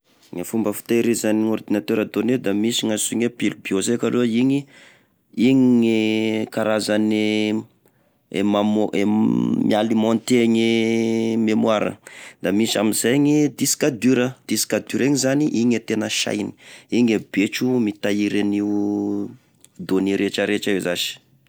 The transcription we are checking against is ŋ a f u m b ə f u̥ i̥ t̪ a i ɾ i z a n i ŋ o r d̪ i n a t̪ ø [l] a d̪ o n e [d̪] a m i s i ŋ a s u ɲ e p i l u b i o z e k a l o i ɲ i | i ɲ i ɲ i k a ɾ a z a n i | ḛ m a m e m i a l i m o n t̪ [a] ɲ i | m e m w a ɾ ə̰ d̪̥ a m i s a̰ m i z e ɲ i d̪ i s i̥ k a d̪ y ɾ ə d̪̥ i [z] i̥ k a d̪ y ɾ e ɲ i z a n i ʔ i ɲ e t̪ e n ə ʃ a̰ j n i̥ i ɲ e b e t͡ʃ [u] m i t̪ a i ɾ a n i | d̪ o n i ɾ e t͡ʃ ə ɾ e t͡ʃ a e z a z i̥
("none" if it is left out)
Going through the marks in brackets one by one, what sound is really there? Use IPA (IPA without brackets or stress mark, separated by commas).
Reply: ɾ, d̪, e, s, u